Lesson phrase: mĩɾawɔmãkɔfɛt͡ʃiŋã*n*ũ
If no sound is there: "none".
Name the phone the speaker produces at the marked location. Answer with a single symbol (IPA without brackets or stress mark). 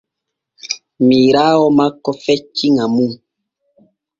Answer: m